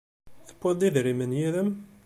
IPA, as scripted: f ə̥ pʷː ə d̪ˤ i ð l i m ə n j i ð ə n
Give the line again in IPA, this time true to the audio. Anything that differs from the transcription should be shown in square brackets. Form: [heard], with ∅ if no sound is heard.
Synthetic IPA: [θ] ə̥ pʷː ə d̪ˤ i ð [ɾ] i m ə n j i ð ə [m]